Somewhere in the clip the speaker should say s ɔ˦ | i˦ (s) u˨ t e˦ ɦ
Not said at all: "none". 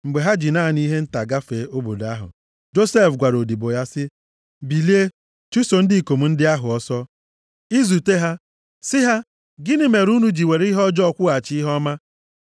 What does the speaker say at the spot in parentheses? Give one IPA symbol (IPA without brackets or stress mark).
z